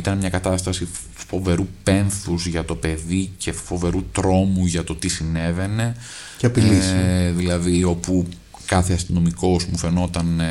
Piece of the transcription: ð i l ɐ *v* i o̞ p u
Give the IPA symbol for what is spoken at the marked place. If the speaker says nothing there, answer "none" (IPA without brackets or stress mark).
ð